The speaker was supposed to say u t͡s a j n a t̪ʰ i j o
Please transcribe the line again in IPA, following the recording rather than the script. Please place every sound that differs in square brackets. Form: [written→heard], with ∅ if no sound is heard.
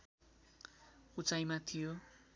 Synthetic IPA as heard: u t͡s a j [n→m] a t̪ʰ i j o

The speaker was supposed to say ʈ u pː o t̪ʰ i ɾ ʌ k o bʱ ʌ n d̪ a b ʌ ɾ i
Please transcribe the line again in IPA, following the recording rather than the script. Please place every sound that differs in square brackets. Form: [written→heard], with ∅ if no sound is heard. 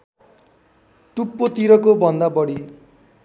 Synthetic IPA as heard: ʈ u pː o [t̪ʰ→t̪] i ɾ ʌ k o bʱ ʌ n d̪ a b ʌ [ɾ→ɽ] i

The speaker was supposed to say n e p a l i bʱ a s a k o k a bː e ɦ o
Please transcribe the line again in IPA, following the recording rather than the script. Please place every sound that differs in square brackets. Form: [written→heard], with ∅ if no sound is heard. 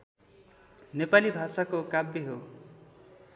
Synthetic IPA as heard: n e p a l i bʱ a s a k o k a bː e ɦ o

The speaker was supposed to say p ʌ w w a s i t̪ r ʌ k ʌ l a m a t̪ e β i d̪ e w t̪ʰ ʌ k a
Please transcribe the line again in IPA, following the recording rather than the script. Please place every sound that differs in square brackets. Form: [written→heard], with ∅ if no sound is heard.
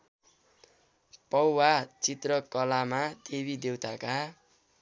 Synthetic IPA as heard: p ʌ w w a [s→t͡s] i t̪ r ʌ k ʌ l a m a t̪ e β i d̪ e w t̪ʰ [ʌ→a] k a

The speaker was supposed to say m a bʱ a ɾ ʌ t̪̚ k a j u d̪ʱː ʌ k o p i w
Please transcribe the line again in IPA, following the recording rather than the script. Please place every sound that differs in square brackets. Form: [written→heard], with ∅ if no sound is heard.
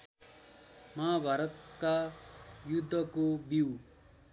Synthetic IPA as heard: m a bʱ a ɾ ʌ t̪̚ k a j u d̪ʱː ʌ k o [p→b] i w

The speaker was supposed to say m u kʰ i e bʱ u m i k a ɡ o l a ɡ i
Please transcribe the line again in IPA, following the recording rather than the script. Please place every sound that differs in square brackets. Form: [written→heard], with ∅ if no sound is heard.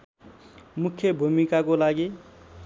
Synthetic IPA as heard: m u kʰ [i→j] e bʱ u m i k a [ɡ→k] o l a ɡ i

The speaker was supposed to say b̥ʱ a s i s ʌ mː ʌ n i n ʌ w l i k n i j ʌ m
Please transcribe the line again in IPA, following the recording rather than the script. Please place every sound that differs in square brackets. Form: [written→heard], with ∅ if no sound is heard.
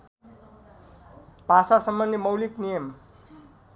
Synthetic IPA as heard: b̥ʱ a s [i→a] s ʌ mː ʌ n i [n→m] ʌ w l i k n i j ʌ m

